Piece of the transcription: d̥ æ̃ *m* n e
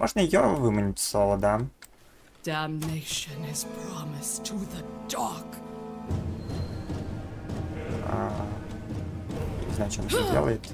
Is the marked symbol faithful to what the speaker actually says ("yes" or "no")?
yes